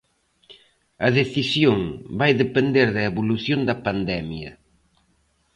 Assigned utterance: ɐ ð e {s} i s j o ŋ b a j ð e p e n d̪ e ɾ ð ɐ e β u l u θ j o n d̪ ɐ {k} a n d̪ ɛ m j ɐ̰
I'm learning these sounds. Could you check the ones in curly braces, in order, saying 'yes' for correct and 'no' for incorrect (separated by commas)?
no, no